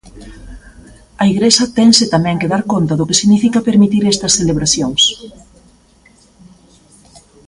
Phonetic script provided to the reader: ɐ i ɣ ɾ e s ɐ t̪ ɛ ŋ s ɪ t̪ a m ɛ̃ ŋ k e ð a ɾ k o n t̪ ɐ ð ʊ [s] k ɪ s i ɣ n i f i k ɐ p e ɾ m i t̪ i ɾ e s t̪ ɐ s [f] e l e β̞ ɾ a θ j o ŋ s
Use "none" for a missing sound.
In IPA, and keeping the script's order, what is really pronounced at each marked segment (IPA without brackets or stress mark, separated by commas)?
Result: none, θ